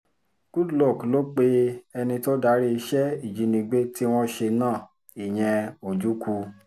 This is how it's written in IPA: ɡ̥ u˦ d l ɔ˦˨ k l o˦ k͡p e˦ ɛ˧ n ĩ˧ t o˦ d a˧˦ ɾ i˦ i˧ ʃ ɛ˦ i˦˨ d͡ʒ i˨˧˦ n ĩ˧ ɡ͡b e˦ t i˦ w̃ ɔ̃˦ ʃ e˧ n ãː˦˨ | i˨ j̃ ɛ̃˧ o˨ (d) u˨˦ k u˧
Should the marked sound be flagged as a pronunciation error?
yes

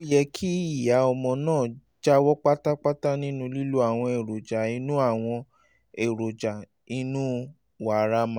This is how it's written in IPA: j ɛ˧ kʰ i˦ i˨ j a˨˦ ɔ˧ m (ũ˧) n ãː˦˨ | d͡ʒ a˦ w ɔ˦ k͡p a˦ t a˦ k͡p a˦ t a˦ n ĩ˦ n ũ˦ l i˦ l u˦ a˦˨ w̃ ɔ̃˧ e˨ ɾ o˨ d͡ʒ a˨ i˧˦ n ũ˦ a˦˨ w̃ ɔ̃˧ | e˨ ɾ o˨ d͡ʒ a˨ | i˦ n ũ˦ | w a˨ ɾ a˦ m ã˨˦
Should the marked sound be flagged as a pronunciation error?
yes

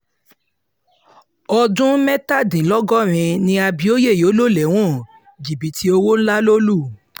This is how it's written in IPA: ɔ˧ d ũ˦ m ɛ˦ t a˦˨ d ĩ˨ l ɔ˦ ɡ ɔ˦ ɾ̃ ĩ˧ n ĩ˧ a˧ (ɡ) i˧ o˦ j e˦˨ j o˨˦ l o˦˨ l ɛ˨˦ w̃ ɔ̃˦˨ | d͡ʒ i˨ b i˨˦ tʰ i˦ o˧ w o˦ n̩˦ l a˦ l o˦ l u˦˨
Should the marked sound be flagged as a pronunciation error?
yes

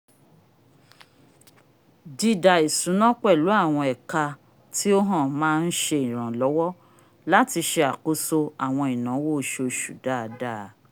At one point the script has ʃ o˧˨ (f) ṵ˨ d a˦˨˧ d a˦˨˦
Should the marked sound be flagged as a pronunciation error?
yes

